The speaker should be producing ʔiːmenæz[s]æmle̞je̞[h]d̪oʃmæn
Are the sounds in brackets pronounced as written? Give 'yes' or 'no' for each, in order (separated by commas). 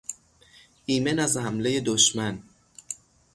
no, no